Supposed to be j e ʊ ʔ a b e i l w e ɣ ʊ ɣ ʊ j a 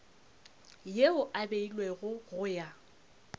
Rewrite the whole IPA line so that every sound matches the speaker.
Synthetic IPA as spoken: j e ʊ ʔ a b e i l w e ɣ ʊ ɣ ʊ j a